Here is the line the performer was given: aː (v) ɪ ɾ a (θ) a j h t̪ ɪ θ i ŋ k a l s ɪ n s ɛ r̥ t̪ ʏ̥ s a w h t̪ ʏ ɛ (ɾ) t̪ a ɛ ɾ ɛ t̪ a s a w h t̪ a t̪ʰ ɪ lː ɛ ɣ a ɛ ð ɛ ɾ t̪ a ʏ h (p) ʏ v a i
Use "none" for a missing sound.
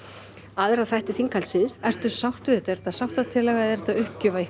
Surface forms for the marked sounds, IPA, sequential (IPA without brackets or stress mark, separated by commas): ð, θ, none, c